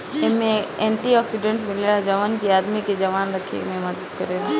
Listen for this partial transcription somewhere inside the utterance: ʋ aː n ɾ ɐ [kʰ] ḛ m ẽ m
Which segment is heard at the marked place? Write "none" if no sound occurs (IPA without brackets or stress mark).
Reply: kʰ